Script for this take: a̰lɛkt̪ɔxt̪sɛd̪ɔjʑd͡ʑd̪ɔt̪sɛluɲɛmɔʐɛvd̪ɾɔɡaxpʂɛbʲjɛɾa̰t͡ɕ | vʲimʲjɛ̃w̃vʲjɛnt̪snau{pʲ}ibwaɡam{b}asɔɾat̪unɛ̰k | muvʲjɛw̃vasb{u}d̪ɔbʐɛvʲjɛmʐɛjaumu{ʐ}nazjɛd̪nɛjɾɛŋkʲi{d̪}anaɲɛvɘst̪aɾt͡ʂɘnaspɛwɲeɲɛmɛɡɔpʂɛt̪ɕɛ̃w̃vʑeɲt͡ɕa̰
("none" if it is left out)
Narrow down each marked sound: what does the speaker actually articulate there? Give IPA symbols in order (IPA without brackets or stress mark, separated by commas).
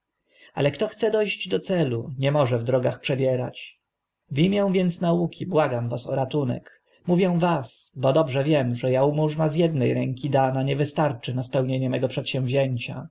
kʲ, v, ɔ, ʐ, d̪